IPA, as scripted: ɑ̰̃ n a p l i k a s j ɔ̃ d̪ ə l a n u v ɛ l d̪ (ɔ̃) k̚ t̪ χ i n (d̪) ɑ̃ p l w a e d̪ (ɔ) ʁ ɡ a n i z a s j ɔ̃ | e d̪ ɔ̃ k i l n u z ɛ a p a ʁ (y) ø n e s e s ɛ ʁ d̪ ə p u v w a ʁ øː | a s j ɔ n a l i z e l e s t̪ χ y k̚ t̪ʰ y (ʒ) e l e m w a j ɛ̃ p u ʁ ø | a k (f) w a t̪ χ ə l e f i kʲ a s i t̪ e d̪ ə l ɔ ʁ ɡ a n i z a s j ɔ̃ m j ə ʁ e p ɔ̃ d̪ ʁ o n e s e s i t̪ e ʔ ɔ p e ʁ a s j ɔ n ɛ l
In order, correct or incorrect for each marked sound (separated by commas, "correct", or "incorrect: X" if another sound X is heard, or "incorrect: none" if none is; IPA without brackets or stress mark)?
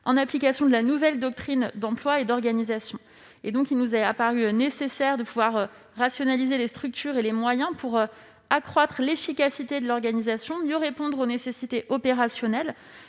incorrect: ɔ, correct, correct, correct, incorrect: ʁ, incorrect: χ